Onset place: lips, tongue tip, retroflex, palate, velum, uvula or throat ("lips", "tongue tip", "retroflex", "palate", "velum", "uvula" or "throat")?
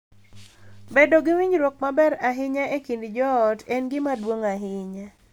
lips